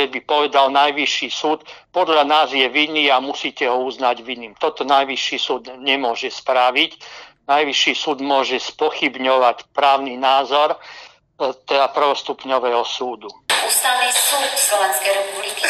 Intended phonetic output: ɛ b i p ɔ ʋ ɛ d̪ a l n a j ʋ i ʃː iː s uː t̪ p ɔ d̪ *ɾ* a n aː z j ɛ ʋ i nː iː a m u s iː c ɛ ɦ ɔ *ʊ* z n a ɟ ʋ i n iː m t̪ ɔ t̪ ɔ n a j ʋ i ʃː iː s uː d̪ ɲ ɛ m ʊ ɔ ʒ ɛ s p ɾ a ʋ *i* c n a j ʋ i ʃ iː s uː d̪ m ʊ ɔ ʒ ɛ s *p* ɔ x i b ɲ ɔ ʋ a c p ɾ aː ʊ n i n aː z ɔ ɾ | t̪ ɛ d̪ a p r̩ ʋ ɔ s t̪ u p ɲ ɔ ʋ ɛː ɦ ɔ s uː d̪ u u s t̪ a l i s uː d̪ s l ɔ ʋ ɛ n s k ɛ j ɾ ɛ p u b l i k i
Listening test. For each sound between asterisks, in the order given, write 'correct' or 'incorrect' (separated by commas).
incorrect, incorrect, correct, correct